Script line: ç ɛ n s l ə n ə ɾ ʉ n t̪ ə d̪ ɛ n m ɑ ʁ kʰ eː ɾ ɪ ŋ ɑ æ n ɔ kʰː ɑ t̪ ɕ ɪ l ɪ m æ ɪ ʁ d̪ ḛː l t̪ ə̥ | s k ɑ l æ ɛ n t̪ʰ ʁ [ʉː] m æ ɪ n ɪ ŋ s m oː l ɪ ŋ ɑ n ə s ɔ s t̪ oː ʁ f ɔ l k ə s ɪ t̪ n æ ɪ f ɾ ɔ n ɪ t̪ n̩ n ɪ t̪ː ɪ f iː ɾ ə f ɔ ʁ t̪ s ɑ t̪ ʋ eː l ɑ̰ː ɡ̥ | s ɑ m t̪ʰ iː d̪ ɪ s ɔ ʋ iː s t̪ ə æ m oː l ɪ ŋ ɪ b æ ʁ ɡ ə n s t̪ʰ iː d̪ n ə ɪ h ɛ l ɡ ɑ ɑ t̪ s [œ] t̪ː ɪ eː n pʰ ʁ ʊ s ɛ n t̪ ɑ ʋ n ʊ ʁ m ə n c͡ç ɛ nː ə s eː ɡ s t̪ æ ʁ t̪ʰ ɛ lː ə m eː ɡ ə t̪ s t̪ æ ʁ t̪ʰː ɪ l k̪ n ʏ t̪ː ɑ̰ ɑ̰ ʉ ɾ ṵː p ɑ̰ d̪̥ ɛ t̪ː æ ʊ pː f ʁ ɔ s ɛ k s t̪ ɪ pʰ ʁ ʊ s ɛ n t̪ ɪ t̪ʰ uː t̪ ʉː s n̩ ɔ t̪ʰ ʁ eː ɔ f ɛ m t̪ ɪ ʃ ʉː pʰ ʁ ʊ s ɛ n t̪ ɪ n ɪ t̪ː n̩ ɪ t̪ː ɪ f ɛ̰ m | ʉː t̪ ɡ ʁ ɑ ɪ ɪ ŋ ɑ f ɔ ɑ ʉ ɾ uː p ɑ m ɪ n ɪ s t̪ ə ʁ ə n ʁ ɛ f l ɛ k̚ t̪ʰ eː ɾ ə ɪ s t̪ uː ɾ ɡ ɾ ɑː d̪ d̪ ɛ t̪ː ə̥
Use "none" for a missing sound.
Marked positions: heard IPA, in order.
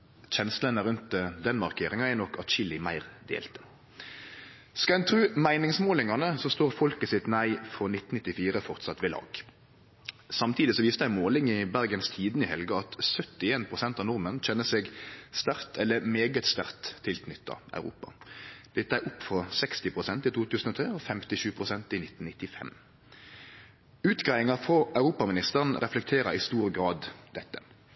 ʉː, œ

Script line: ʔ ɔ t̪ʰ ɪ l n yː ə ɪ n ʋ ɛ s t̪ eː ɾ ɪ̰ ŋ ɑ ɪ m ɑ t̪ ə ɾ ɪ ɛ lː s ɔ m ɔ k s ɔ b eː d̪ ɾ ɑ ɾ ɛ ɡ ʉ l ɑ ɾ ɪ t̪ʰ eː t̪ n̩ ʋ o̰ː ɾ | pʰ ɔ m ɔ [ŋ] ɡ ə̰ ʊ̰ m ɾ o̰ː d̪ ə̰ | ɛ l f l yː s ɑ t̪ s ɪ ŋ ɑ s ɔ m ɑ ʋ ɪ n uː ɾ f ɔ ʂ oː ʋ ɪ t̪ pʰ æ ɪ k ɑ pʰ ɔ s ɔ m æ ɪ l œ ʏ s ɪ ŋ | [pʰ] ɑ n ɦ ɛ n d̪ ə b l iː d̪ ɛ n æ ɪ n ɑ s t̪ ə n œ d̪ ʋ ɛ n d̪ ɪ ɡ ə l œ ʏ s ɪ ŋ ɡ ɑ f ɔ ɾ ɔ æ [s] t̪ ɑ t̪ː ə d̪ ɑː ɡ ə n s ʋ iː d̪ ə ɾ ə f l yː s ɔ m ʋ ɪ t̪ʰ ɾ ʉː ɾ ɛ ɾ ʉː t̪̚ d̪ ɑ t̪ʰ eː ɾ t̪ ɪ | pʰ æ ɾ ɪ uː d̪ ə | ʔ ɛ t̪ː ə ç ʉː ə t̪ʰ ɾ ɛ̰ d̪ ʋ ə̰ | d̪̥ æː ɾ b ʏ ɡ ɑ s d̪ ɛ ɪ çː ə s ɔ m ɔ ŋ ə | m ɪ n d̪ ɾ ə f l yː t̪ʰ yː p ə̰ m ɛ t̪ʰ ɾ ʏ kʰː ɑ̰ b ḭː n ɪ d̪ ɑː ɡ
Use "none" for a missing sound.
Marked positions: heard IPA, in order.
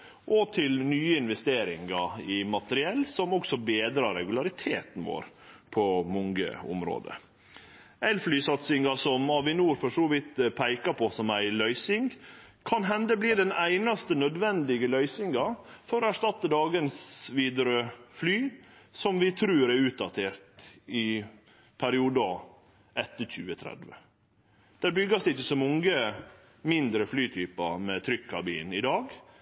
ŋ, kʰ, ʂ

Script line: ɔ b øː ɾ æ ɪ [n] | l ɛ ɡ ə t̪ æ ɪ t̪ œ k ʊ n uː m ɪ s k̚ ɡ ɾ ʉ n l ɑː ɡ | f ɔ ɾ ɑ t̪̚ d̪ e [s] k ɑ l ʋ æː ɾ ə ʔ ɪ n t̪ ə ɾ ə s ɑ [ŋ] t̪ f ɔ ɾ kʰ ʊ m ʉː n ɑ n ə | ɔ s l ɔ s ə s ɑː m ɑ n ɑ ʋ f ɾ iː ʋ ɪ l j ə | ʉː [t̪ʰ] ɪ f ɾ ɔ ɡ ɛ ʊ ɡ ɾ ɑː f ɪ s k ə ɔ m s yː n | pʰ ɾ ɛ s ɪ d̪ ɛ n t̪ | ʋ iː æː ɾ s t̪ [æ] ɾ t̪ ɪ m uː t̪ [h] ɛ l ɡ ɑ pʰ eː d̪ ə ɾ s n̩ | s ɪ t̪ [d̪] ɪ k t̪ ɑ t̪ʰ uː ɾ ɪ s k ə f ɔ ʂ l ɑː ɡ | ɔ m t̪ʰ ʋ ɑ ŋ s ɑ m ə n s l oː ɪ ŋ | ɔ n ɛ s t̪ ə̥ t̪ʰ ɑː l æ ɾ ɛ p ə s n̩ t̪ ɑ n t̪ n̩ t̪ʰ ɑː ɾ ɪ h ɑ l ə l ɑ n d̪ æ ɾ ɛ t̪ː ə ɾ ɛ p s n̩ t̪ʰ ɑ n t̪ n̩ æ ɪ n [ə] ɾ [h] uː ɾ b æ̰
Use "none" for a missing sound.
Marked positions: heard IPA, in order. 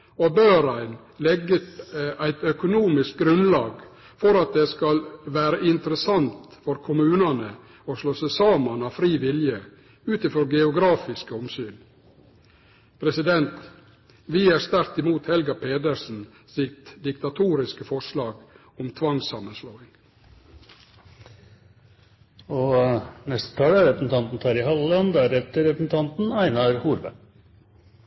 n, s, n, t̪, æ, h, d̪, ɑ, h

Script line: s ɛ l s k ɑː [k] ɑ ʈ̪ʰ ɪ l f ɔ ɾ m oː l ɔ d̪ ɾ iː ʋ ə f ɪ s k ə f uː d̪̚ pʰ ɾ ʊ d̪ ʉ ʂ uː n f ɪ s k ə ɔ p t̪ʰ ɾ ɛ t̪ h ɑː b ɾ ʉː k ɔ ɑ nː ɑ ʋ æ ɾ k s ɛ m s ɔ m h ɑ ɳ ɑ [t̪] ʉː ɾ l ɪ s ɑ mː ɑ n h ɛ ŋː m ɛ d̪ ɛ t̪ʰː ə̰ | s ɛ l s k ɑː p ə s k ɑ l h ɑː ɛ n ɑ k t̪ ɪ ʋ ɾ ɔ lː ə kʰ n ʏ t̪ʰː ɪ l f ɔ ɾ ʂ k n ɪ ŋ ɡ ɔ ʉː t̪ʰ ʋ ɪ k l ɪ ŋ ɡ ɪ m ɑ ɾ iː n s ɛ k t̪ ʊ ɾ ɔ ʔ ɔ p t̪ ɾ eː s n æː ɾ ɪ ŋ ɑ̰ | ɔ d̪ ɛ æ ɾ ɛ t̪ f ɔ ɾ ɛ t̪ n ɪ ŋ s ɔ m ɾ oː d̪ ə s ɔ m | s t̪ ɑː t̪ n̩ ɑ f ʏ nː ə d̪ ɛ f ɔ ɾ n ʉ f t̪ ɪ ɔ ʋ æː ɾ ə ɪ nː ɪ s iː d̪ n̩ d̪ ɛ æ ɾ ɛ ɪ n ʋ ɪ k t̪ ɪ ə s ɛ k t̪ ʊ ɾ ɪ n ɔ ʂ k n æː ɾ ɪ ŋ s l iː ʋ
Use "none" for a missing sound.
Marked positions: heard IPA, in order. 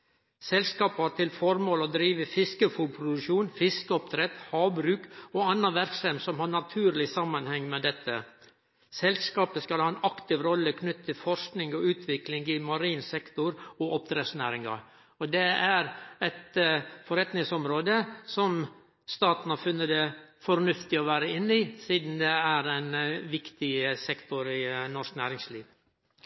p, t̪ʰ

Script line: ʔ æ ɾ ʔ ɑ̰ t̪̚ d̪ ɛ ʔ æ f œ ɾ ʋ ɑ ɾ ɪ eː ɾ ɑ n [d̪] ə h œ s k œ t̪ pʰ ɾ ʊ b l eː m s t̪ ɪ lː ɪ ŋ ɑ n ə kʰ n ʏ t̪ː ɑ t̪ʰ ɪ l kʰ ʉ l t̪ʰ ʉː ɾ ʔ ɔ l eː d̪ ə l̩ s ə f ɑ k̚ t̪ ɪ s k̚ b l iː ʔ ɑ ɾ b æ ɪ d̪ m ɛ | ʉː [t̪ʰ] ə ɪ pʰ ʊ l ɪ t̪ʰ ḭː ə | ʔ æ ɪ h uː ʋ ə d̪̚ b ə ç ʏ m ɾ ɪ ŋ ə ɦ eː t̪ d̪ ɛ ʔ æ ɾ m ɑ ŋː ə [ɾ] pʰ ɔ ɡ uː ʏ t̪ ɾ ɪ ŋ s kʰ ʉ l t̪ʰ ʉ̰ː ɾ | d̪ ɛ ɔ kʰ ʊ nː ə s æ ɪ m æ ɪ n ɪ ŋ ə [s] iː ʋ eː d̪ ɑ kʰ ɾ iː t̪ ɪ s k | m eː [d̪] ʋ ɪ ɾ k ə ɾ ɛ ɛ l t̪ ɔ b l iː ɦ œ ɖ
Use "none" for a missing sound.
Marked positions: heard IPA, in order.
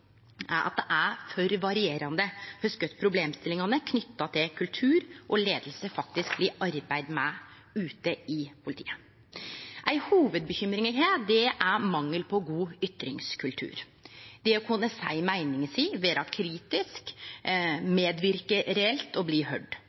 d̪, t̪, l, s, d̪

